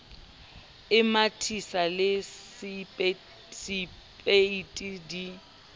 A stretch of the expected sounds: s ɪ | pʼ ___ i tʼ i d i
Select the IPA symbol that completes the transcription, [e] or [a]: e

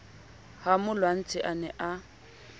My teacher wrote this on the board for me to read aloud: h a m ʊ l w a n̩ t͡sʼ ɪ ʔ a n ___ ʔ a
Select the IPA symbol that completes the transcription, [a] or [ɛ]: ɛ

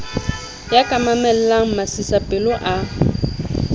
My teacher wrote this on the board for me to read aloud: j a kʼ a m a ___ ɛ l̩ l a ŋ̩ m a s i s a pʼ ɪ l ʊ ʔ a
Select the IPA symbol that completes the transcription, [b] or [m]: m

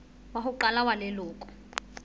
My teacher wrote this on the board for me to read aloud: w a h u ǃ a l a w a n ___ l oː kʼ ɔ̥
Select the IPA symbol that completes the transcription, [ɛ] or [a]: ɛ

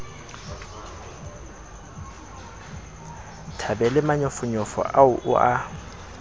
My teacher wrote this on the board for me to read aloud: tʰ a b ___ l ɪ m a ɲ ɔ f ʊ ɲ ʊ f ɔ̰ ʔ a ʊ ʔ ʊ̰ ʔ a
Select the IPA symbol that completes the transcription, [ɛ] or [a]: ɛ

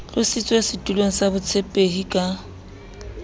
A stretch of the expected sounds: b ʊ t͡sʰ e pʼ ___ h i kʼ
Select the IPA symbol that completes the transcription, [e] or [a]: e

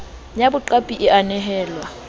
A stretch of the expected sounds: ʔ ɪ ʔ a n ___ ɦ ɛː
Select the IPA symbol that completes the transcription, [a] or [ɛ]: ɛ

